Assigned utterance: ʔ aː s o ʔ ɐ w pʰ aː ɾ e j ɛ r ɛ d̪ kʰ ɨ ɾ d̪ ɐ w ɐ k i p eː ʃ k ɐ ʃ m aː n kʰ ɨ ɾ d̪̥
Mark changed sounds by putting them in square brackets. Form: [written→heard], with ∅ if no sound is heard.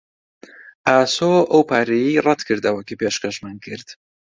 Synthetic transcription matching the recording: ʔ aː s o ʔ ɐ w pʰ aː ɾ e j [ɛ→i] r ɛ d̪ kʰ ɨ ɾ d̪ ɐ w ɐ k i p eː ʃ k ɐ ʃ m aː n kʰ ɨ ɾ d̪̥

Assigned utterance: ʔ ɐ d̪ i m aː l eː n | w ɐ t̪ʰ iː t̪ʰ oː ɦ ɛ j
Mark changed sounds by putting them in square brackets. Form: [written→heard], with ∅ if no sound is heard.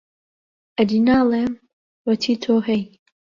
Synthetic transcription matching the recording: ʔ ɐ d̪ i [m→n] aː l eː [n→m] | w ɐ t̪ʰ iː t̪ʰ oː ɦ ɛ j

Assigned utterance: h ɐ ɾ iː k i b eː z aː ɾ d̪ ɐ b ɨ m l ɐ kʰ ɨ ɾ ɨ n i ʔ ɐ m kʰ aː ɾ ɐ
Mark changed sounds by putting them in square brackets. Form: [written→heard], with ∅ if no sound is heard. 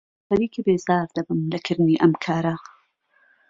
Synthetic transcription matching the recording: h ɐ ɾ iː k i b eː z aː ɾ d̪ ɐ b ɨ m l ɐ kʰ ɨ ɾ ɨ n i ʔ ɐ m kʰ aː ɾ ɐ

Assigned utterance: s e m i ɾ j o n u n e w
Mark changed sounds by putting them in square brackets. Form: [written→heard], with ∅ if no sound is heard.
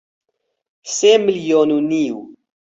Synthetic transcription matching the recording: s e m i [ɾ→l] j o n u n [e→i] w

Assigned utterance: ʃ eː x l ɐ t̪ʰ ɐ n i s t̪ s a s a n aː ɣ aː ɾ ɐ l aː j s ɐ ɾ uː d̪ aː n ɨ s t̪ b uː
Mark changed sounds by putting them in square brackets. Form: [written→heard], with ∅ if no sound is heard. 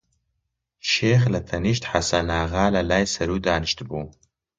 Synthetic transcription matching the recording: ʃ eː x l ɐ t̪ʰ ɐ n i [s→ʃ] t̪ [s→ħ] a s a n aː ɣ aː [ɾ→l] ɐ l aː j s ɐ ɾ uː d̪ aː n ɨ [s→ʃ] t̪ b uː

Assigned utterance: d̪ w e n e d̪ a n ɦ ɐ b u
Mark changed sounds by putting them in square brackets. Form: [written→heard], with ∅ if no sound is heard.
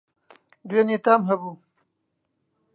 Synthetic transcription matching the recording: d̪ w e n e [d̪→t̪] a [n→m] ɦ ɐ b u

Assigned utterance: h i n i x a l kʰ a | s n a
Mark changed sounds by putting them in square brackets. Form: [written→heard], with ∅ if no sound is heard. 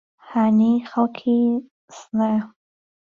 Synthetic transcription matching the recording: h [i→a] n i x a l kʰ [a→i] | s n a

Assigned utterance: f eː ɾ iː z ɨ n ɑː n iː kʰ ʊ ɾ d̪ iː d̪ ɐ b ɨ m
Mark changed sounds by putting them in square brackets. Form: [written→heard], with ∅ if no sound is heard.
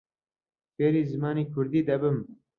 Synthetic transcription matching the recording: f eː ɾ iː z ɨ [n→m] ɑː n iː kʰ ʊ ɾ d̪ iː d̪ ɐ b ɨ m

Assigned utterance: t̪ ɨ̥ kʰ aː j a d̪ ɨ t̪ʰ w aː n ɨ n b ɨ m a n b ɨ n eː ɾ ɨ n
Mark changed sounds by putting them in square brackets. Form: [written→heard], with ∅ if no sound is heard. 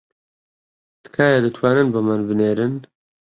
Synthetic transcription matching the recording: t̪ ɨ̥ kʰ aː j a d̪ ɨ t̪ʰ w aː n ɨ n b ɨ m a n b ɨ n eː ɾ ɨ n

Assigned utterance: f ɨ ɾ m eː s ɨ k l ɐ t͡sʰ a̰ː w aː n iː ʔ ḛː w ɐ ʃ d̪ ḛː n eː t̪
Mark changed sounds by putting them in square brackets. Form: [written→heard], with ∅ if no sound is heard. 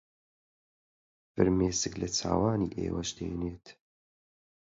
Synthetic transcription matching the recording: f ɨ ɾ m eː s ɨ k l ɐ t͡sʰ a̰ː w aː n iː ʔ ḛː w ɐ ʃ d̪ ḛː n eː t̪

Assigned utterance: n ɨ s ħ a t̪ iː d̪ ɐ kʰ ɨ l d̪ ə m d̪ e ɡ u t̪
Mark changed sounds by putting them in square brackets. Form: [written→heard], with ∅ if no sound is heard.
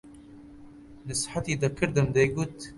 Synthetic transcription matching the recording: n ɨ s ħ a t̪ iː d̪ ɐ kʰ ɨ [l→ɾ] d̪ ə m d̪ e ɡ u t̪

